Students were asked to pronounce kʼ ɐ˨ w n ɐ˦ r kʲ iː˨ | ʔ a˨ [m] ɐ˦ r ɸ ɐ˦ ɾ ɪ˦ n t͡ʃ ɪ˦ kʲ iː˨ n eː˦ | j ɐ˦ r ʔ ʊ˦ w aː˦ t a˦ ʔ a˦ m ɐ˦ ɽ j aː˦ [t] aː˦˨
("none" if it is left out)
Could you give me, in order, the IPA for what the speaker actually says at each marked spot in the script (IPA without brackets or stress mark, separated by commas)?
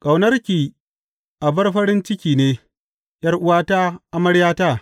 b, t